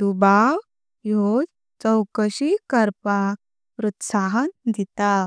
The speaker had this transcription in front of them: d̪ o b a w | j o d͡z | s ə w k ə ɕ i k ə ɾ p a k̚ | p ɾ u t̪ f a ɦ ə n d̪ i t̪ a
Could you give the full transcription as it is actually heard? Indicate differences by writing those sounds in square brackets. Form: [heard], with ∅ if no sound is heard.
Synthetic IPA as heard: d̪ [u] b a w | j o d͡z | [t͡s] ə w k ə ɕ i k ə ɾ p a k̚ | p ɾ u t̪ [s] a ɦ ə n d̪ i t̪ a

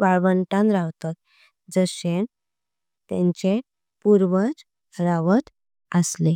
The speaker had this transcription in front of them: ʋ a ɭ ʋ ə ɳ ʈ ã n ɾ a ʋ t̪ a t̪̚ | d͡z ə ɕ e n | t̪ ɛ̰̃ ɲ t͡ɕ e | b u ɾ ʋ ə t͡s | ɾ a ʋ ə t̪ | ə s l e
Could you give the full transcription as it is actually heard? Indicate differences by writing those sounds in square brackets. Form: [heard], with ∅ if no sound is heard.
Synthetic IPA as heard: ʋ a ɭ ʋ ə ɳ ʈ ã n ɾ a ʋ t̪ a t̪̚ | d͡z ə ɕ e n | t̪ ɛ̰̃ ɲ t͡ɕ e | [p] u ɾ ʋ ə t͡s | ɾ a ʋ ə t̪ | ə s l e

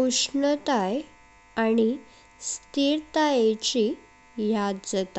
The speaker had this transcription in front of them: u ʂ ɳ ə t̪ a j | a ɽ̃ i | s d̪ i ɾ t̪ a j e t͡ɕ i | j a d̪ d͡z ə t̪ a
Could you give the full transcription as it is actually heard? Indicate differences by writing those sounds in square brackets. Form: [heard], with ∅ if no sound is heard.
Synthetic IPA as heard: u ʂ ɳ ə t̪ a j | a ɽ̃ i | s [t̪] i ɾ t̪ a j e t͡ɕ i | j a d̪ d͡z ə t̪ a

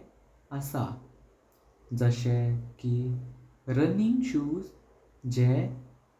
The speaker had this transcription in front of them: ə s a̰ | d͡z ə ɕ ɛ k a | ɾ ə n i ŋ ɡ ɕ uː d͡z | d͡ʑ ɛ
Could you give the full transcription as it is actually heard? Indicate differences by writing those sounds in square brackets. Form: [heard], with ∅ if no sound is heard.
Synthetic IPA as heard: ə s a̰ | d͡z ə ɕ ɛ k [i] | ɾ ə n i ŋ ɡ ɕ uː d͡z | d͡ʑ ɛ

